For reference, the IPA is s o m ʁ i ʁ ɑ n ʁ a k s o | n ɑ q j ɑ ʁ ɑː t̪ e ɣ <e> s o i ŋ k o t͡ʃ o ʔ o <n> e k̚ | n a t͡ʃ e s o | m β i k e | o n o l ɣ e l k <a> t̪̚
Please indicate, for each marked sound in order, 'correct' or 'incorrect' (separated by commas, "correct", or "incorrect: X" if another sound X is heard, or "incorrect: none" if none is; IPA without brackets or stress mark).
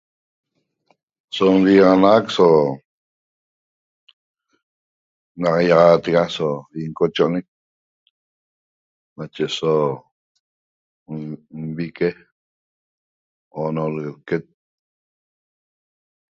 incorrect: a, correct, incorrect: e